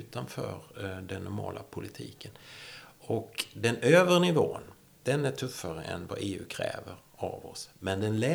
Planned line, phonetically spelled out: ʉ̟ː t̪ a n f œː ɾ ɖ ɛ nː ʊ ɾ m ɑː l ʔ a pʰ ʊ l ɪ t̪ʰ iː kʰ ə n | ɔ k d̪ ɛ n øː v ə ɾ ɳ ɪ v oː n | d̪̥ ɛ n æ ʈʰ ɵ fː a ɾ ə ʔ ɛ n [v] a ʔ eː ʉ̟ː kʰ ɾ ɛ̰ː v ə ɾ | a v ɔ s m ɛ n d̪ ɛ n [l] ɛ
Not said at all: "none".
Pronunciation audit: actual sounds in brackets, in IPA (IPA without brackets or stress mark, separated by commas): v, l